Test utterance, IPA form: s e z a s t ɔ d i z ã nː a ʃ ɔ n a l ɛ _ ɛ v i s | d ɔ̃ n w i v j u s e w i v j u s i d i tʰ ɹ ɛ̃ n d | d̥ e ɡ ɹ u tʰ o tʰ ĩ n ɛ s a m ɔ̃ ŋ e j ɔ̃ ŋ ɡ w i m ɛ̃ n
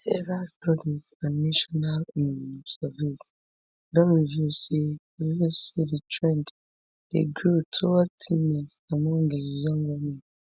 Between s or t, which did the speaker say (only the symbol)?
s